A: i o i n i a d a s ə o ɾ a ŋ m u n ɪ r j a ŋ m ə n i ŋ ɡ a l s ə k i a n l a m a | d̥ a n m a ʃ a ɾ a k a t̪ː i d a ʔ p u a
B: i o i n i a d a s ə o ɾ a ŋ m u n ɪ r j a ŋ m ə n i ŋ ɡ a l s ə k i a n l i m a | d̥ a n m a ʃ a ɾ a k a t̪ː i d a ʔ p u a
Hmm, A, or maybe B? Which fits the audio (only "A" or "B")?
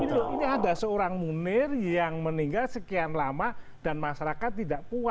A